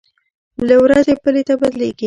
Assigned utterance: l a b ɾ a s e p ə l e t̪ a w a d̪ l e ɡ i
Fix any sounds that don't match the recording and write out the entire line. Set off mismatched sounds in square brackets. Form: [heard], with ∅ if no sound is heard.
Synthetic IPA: l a [w] ɾ a [z] e p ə l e t̪ a [b] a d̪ l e ɡ i